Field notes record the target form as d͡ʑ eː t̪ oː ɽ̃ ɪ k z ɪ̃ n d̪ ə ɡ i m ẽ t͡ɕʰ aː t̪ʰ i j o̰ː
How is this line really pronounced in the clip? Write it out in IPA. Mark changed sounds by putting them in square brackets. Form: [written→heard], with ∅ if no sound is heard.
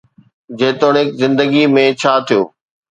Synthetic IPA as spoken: d͡ʑ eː t̪ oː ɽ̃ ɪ k z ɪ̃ n d̪ ə ɡ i m ẽ t͡ɕʰ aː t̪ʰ i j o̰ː